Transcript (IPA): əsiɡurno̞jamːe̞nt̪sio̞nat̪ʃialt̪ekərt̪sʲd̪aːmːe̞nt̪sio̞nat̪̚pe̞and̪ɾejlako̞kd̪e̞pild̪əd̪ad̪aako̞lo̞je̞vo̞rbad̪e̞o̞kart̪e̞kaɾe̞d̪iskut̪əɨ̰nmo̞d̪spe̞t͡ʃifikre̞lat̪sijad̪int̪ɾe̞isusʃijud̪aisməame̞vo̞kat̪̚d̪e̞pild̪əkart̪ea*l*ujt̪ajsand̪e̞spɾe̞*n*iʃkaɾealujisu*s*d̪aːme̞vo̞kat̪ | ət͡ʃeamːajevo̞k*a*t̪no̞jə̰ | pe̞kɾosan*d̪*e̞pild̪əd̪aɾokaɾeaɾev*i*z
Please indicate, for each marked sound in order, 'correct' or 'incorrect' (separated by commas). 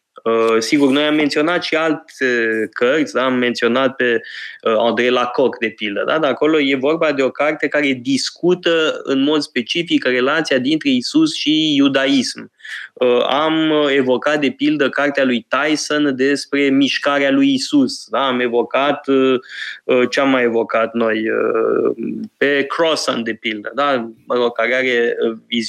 correct, incorrect, correct, correct, correct, correct